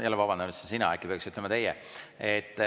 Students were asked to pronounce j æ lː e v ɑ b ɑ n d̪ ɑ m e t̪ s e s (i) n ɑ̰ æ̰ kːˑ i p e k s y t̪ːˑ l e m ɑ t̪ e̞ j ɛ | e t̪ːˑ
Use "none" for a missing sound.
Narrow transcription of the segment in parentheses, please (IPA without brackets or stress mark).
i